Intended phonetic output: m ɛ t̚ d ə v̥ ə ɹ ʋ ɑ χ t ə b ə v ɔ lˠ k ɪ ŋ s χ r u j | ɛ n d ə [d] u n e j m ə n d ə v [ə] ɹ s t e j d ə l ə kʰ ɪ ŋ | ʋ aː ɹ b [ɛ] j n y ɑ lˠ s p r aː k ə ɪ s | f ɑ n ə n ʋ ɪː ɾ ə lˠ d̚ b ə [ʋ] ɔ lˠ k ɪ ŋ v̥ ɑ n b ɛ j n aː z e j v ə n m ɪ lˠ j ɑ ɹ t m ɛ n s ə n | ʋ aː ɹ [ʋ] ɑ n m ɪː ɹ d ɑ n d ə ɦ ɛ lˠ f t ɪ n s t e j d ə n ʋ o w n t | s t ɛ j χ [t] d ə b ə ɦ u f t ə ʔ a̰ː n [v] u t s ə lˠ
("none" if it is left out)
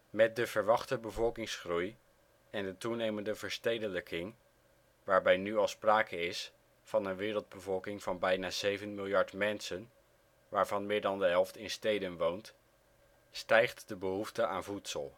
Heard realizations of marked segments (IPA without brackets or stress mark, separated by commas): t, ə, ɛ, v, v, t, v